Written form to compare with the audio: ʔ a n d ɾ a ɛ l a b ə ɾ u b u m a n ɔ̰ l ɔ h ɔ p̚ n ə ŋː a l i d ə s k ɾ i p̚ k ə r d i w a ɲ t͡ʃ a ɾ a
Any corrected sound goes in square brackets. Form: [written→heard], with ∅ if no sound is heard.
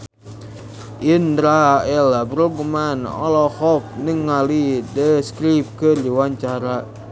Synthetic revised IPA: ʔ [a→i] n d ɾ a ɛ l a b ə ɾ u b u m a n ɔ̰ l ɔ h ɔ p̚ n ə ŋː a l i d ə s k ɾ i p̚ k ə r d i w a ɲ t͡ʃ a ɾ a

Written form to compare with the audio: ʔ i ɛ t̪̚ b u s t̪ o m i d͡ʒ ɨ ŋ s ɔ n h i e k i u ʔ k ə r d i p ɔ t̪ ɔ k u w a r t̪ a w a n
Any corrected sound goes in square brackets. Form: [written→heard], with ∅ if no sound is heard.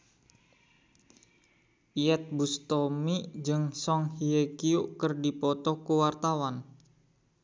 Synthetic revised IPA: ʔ i ɛ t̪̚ b u s t̪ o m i d͡ʒ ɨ ŋ s ɔ [n→ŋ] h i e k i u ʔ k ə r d i p ɔ t̪ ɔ k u w a r t̪ a w a n

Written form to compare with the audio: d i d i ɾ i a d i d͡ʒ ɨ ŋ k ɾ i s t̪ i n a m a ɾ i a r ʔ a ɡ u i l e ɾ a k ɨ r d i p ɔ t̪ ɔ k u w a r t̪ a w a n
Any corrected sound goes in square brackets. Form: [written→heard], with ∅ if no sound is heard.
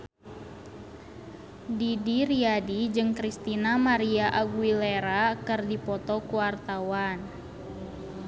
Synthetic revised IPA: d i d i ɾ i a d i d͡ʒ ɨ ŋ k ɾ i s t̪ i n a m a ɾ i a [r→∅] ʔ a ɡ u i l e ɾ a k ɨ r d i p ɔ t̪ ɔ k u w a r t̪ a w a n

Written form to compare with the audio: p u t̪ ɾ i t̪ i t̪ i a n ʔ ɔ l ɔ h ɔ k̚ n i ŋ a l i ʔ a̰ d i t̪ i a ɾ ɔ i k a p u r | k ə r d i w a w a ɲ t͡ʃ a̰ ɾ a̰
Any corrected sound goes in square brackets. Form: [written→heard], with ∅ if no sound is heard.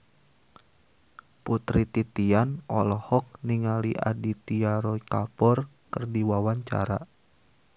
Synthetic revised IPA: p u t̪ ɾ i t̪ i t̪ i a n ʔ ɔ l ɔ h ɔ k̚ n i ŋ a l i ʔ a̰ d i t̪ i a ɾ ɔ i k a p [u→ɔ] r | k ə r d i w a w a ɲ t͡ʃ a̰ ɾ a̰

